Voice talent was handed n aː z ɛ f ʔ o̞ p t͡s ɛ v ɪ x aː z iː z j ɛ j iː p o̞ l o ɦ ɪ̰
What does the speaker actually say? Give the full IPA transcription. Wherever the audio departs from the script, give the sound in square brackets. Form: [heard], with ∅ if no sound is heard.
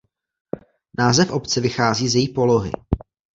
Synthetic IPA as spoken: n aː z ɛ f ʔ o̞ p t͡s ɛ v ɪ x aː z iː z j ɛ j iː p o̞ l o ɦ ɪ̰